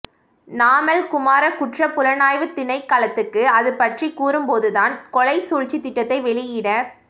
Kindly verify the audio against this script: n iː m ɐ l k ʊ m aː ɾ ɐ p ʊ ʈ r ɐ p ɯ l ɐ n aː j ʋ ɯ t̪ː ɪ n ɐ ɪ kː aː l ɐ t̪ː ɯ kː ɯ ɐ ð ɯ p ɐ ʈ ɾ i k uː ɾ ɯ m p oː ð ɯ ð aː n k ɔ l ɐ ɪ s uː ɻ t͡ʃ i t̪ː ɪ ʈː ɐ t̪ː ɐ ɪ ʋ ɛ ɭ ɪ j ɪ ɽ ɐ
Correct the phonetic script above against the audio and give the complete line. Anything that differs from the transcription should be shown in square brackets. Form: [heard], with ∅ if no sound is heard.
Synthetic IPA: n [aː] m ɐ l k ʊ m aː ɾ ɐ [k] ʊ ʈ r ɐ p [ʊ] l ɐ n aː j ʋ ɯ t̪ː ɪ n ɐ ɪ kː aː l ɐ t̪ː ɯ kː ɯ ɐ ð ɯ p ɐ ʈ [r] i k uː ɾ ɯ m p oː ð ɯ ð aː n k ɔ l ɐ ɪ s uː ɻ t͡ʃ i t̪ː ɪ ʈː ɐ t̪ː ɐ ɪ ʋ ɛ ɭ ɪ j ɪ ɽ ɐ